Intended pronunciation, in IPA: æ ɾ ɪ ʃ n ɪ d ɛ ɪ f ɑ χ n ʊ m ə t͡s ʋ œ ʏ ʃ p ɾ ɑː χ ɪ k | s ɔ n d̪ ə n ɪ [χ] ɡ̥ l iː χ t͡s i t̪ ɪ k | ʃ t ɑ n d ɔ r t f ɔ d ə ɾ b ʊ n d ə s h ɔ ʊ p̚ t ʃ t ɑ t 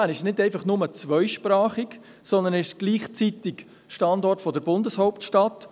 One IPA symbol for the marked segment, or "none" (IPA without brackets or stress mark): ʃ